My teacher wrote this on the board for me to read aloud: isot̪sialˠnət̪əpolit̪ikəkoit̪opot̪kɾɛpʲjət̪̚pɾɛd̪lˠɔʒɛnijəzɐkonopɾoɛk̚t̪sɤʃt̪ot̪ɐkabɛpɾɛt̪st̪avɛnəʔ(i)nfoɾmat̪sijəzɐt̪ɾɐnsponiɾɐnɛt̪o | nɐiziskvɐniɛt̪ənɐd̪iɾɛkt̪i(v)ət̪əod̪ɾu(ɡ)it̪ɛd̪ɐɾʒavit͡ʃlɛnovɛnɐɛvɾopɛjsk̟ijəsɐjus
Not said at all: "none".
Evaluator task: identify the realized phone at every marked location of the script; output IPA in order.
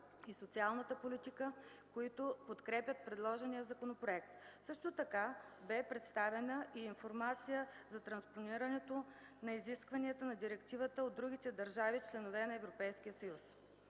iː, v, ɡ

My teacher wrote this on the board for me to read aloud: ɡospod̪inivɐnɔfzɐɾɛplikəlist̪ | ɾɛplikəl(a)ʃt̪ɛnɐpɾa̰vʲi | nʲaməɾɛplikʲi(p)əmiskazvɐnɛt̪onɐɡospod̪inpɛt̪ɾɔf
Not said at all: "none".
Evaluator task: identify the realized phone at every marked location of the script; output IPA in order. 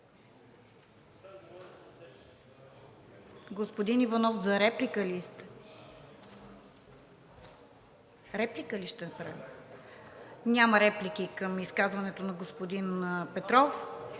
i, k

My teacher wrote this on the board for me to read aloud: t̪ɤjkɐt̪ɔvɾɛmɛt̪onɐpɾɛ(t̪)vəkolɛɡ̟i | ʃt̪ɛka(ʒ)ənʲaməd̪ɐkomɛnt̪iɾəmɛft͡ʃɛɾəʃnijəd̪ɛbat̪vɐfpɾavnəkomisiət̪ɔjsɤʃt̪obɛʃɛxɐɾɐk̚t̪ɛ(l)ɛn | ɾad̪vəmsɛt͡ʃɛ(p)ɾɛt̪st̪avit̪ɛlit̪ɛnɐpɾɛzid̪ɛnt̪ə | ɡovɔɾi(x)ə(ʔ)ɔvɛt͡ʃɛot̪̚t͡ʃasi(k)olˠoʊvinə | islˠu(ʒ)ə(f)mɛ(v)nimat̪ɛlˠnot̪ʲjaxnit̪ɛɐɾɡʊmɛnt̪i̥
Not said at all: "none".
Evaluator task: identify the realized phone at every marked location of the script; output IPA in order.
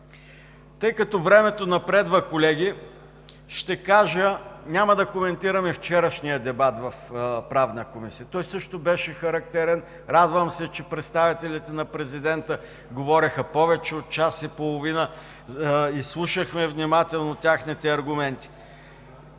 d̪, ʒ, ɾ, p, x, p, p, ʃ, x, v

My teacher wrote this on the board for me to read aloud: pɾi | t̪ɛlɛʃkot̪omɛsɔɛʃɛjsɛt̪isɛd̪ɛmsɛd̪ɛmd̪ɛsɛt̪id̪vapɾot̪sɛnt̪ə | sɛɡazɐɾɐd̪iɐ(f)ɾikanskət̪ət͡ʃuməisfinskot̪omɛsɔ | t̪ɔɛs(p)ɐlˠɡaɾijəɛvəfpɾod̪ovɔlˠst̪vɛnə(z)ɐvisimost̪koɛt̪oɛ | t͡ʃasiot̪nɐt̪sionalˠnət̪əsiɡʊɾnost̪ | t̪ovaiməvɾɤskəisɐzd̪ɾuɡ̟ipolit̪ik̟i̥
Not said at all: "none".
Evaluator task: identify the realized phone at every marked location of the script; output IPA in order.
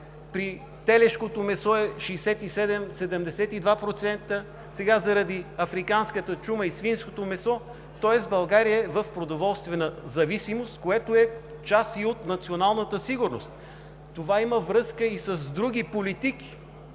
f, b, z

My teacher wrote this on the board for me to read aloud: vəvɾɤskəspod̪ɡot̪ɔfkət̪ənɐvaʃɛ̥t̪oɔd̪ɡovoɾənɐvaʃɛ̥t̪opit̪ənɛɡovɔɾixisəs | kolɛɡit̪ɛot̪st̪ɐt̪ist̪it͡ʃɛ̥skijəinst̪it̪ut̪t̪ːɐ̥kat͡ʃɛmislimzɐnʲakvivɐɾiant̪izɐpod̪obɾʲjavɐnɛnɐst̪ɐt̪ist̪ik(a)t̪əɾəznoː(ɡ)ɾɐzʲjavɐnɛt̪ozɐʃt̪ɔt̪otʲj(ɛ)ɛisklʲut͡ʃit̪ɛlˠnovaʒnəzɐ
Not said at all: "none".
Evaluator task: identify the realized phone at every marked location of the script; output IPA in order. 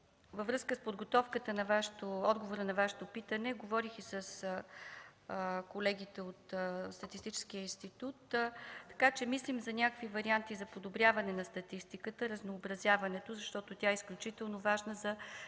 ə, b, a

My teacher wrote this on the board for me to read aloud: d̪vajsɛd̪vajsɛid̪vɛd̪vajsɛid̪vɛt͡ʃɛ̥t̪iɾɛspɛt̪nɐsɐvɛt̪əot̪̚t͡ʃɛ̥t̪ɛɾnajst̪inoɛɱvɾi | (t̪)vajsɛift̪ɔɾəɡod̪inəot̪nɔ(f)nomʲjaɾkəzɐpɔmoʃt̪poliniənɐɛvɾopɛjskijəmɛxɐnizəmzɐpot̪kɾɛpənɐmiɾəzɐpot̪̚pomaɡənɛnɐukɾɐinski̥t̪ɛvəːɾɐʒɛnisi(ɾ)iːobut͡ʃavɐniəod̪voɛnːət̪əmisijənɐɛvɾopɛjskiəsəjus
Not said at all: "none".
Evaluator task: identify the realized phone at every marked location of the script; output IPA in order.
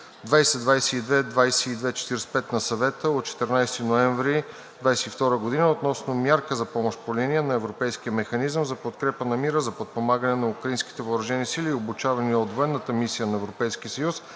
d̪, s, l

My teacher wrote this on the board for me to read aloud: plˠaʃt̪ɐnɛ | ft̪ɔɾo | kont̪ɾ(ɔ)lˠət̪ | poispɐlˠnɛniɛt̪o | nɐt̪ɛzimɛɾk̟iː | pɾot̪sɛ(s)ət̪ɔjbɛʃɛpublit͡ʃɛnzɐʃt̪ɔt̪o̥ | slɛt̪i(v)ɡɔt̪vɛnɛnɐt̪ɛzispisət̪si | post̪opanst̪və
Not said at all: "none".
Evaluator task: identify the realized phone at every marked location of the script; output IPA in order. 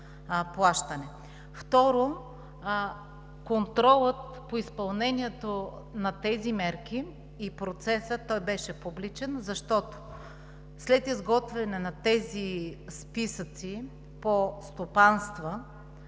ɔ, s, z

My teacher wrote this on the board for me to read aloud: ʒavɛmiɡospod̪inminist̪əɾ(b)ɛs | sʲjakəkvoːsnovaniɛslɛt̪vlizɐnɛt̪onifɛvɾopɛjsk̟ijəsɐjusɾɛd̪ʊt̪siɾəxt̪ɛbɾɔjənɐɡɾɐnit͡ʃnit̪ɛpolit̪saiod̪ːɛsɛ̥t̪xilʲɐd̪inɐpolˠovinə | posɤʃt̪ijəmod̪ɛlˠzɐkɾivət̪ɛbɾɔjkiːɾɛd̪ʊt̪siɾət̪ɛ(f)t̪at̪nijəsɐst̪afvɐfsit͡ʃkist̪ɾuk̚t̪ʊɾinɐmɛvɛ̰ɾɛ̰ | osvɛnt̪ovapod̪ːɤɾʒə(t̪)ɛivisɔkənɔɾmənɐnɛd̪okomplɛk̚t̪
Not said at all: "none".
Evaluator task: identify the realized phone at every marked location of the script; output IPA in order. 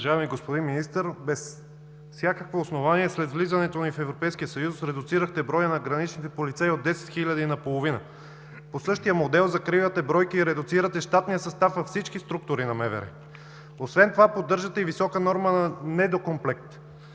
b, ʃ, t̪

